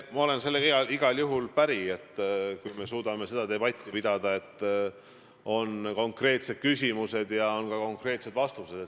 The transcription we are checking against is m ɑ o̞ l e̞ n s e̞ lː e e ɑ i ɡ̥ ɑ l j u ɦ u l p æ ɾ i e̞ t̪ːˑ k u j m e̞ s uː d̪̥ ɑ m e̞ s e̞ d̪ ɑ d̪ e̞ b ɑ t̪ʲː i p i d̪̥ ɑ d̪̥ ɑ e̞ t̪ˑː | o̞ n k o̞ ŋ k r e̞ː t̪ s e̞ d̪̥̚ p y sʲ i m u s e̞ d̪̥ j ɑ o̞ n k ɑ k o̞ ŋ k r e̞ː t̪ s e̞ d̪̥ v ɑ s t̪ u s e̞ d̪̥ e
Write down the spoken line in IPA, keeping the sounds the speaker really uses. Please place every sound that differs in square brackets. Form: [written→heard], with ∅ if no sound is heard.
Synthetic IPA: m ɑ o̞ l e̞ n s e̞ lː e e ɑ i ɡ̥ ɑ l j u ɦ u l p æ ɾ i e̞ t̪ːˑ k u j m e̞ s uː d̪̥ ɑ m e̞ s e̞ d̪ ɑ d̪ e̞ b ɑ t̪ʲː i p i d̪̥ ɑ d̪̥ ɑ e̞ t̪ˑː | o̞ n k o̞ ŋ k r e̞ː t̪ s e̞ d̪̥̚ [p→k] y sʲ i m u s e̞ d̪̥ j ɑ o̞ n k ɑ k o̞ ŋ k r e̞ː t̪ s e̞ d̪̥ v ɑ s t̪ u s e̞ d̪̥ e